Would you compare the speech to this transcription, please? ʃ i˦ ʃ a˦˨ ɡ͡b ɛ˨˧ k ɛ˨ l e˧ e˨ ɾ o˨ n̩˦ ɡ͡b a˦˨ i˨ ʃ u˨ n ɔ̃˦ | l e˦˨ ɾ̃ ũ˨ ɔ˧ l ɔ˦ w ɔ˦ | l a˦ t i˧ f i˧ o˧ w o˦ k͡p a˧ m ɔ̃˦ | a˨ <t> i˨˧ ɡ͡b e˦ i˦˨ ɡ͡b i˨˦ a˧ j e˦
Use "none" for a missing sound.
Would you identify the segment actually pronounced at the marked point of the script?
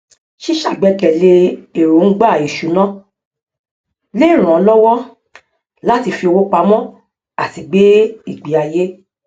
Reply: t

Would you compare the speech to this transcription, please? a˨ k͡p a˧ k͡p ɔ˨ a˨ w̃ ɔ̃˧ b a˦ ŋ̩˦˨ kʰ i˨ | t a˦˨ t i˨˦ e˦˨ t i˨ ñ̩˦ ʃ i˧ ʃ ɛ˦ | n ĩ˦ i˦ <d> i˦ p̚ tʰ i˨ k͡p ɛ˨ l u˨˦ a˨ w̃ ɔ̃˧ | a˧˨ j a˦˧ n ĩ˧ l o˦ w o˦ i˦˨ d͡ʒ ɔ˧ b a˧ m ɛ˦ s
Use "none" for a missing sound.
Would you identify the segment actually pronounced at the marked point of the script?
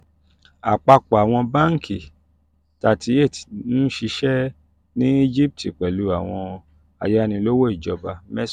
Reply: d͡ʒ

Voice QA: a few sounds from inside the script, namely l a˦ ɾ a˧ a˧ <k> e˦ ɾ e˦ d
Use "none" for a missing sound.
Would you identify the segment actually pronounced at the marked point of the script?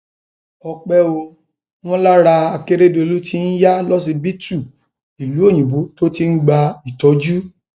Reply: k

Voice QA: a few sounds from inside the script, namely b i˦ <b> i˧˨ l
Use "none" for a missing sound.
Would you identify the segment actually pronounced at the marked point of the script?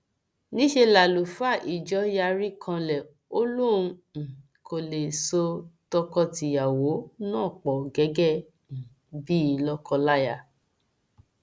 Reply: none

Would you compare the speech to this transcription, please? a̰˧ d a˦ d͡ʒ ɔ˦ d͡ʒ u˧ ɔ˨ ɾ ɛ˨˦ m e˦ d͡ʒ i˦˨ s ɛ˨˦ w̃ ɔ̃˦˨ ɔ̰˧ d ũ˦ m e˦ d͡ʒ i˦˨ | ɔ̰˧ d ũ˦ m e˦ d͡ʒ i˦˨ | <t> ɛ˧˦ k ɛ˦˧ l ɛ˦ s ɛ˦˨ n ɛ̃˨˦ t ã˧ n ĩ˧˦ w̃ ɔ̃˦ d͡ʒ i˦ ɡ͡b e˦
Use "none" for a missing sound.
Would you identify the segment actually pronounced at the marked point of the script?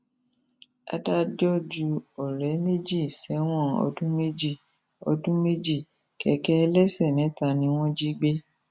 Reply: k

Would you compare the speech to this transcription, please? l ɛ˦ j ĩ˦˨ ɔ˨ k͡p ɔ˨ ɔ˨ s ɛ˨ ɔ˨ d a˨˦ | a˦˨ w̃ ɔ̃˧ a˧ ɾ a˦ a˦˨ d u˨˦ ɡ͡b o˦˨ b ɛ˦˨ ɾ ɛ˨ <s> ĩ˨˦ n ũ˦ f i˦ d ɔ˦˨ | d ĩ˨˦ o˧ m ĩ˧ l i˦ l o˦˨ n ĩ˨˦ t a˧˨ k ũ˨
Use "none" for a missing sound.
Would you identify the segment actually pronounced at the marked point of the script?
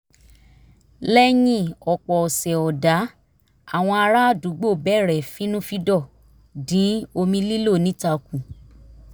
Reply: f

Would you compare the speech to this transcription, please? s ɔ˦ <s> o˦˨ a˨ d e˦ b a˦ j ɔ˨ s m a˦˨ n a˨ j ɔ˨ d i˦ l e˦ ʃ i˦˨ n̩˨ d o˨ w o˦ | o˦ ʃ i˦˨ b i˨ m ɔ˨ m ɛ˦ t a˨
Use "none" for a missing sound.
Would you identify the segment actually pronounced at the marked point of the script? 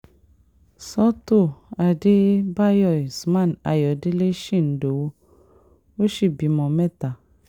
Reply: t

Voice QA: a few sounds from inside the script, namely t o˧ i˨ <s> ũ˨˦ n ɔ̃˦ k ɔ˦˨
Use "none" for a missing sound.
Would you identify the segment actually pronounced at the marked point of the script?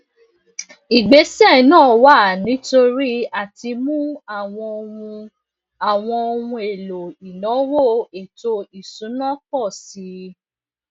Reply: s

